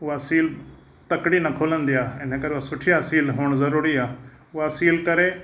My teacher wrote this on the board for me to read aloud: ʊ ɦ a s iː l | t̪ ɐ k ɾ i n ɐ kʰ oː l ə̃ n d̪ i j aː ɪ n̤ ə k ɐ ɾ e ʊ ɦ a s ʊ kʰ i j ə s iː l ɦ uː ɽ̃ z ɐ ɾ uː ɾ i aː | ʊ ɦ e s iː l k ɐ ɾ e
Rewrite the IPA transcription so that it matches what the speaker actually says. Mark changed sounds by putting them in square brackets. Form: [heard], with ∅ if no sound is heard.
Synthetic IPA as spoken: ʊ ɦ a s iː l | t̪ ɐ k [ɽ] i n ɐ kʰ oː l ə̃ n d̪ i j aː ɪ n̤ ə k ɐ ɾ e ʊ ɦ a s ʊ [ʈʰ] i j [a] s iː l ɦ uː ɽ̃ z ɐ ɾ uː ɾ i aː | ʊ ɦ [a] s iː l k ɐ ɾ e